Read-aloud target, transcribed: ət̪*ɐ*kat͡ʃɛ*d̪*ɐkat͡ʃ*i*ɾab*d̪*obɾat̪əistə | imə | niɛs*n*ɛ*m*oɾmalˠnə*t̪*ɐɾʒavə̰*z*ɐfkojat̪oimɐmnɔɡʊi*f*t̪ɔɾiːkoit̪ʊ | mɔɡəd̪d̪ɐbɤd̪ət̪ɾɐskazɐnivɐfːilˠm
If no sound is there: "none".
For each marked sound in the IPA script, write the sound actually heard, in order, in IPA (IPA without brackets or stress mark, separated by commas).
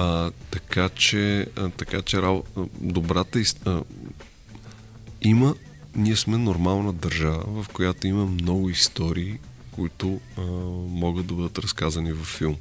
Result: ɐ, t̪, ɛ, d̪, m, n, d̪, v, s